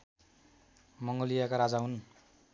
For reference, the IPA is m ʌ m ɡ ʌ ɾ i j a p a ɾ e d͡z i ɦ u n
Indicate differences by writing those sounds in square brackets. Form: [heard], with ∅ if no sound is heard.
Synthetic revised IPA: m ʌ [ŋ] ɡ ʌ [l] i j a [k] a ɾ [a] d͡z [a] ɦ u n